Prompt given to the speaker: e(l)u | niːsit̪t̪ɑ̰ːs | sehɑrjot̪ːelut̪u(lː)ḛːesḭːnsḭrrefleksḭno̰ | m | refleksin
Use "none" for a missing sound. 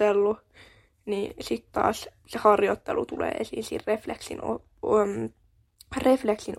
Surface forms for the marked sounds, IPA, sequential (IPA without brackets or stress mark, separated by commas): lː, l